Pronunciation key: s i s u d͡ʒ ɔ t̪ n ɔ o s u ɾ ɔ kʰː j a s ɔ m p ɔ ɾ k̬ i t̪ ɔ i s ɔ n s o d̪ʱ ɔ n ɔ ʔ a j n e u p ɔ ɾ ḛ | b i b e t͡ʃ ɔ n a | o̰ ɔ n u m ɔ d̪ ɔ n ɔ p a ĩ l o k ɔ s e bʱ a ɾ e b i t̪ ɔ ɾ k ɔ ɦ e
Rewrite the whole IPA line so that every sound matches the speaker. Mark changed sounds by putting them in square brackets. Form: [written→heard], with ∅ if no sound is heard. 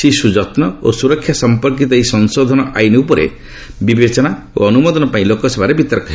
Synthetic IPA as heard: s i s u d͡ʒ ɔ t̪ n ɔ o s u ɾ ɔ kʰː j a s ɔ m p ɔ ɾ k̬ i t̪ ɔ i s ɔ n s o d̪ʱ ɔ n ɔ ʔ a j n e u p ɔ ɾ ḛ | b i b e t͡ʃ ɔ n a | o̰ ɔ n u m ɔ d̪ ɔ n ɔ p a ĩ l o k ɔ s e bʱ a ɾ e b i t̪ ɔ ɾ k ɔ ɦ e